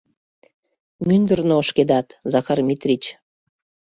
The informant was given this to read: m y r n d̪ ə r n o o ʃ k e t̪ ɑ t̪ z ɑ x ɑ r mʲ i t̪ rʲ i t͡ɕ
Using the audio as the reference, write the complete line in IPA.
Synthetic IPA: m y n d̪ ə r n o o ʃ k e d̪ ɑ t̪ z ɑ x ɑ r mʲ i t̪ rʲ i t͡ɕ

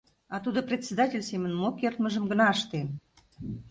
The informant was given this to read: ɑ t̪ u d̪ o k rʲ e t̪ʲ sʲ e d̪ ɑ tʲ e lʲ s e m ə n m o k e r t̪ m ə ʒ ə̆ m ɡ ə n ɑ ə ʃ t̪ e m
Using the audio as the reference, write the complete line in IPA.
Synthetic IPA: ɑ t̪ u d̪ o p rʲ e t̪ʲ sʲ e d̪ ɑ tʲ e lʲ s e m ə n m o k e r t̪ m ə ʒ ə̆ m ɡ ə n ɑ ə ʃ t̪ e m

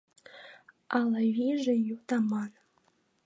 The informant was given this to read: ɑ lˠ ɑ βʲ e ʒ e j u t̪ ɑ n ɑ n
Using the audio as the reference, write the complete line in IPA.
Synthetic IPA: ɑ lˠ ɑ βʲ i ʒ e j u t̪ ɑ m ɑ n

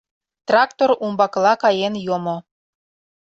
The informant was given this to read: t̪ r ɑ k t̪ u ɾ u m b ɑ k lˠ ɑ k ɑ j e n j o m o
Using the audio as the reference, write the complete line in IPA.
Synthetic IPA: t̪ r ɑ k t̪ o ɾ u m b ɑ k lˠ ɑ k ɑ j e n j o m o

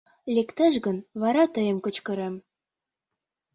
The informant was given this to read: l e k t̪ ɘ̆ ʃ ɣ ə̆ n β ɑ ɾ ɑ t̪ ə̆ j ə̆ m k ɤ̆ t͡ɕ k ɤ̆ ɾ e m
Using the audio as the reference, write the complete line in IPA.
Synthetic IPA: l e k t̪ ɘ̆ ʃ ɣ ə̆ n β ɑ ɾ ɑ t̪ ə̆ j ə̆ m k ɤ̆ t͡ɕ k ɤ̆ ɾ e m

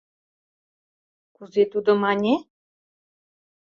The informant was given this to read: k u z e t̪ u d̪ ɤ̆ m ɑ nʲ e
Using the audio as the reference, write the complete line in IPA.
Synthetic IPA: k u z e t̪ u d̪ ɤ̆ m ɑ nʲ e

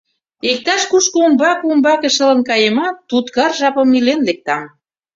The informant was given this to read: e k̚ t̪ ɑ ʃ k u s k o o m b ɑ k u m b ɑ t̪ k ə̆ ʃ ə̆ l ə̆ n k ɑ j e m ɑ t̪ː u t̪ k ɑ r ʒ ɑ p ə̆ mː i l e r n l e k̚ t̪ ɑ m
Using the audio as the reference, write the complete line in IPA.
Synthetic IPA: e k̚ t̪ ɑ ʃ k u ʃ k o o m b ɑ k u m b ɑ k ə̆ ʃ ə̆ l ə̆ n k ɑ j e m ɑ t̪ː u t̪ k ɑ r ʒ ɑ p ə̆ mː i l e n l e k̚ t̪ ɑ m

